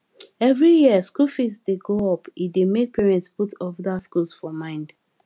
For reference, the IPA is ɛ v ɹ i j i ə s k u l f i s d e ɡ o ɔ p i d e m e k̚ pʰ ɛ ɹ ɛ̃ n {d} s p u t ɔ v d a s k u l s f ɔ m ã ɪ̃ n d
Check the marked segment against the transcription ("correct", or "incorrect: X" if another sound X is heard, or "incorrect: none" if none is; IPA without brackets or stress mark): incorrect: t